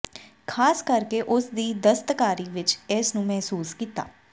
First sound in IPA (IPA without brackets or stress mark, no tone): kʰ